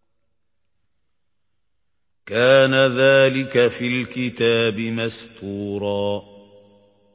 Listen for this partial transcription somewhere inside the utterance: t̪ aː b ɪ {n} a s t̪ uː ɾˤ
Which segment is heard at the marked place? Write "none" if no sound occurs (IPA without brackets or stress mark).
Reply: m